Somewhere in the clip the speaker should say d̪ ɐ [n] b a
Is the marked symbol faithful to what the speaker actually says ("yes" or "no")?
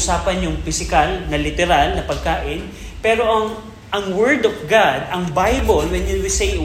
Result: no